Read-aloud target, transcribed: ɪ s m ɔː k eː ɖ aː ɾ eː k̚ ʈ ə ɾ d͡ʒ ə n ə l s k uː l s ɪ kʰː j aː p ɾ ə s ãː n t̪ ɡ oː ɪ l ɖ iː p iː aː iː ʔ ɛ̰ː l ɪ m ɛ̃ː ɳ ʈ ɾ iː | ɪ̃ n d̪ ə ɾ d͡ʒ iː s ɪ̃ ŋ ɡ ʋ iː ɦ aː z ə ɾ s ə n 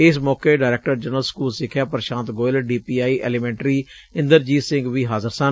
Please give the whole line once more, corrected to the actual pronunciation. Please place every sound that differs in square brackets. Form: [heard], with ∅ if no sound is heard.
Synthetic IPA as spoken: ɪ s m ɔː k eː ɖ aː ɾ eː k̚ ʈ ə ɾ d͡ʒ ə n ə l s k uː l s ɪ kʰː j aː p ɾ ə [ʃ] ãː n t̪ ɡ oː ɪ l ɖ iː p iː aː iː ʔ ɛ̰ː l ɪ m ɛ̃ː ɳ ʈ ɾ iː | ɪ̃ n d̪ ə ɾ d͡ʒ iː s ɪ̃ ŋ ɡ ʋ iː ɦ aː z ə ɾ s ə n